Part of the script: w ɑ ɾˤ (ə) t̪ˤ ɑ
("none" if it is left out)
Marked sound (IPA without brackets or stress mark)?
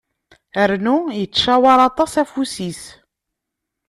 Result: ɑ